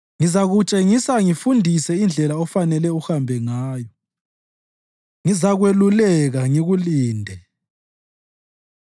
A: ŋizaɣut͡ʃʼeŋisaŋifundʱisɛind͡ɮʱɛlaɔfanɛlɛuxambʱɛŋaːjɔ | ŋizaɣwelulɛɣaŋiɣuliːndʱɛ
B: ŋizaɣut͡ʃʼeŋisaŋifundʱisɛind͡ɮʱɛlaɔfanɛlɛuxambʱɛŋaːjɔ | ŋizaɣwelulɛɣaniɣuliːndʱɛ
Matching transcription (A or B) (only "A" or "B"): A